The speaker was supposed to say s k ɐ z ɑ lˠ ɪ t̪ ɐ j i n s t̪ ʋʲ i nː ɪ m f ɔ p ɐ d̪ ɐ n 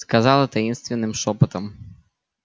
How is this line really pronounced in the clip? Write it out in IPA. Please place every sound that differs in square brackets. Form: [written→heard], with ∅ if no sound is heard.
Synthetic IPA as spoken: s k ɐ z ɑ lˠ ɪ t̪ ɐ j i n s t̪ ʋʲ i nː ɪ m [f→ʃ] ɔ p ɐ [d̪→t̪] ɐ [n→m]